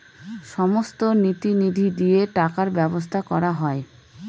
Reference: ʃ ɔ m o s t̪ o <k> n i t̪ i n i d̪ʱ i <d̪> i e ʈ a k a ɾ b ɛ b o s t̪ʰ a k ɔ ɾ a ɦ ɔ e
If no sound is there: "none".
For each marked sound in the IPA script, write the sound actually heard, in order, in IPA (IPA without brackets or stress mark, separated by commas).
none, d̪